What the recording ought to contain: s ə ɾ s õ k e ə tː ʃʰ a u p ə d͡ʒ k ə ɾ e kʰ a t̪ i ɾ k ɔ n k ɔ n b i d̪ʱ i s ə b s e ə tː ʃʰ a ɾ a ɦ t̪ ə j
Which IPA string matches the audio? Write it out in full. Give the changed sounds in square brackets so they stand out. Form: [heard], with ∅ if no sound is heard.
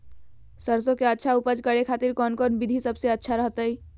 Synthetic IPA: s ə ɾ s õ k e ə tː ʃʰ a u p ə d͡ʒ k ə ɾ e kʰ a t̪ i ɾ k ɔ n k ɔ n b i d̪ʱ i s ə b s e ə tː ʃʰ a ɾ [ə] ɦ t̪ ə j